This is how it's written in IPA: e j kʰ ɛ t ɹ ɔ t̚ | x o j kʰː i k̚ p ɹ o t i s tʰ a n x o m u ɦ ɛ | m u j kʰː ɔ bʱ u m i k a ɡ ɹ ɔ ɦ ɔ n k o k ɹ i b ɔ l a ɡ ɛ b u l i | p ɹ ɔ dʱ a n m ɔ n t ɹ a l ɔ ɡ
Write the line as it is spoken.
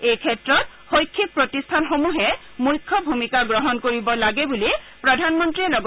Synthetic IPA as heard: e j kʰ ɛ t ɹ ɔ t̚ | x o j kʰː i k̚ p ɹ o t i s tʰ a n x o m u ɦ ɛ | m u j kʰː ɔ bʱ u m i k a ɡ ɹ ɔ ɦ ɔ n k o ɹ i b ɔ l a ɡ ɛ b u l i | p ɹ ɔ dʱ a n m ɔ n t ɹ i l ɔ ɡ